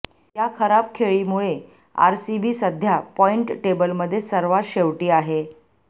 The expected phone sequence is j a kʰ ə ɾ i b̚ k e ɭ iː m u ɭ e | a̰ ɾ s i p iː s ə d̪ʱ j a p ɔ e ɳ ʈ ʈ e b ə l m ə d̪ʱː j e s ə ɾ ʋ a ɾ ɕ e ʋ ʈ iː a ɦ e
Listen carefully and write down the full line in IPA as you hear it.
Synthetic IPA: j a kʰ ə ɾ a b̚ kʰ e ɭ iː m u ɭ e | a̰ ɾ s i b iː s ə d̪ʱ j a p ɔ i ɳ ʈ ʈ e b ə l m ə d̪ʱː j e s ə ɾ ʋ a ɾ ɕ e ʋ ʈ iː a ɦ e